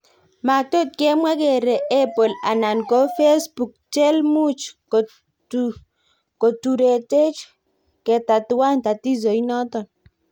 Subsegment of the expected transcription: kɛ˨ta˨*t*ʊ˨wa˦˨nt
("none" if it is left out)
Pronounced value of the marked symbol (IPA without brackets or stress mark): t